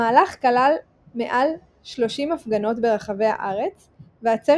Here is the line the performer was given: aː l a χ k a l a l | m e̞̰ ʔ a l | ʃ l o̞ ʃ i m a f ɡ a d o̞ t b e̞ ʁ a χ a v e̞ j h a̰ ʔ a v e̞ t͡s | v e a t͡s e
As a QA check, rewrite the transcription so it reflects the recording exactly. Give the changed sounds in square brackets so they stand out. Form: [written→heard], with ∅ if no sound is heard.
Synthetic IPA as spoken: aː l a χ k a l a l | m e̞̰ ʔ a l | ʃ l o̞ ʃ i m a f ɡ a [d→n] o̞ t b e̞ ʁ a χ a v e̞ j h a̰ ʔ a [v→ʁ] e̞ t͡s | v e a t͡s e